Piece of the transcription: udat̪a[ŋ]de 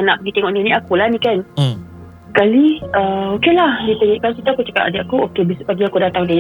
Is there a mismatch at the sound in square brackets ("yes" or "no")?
no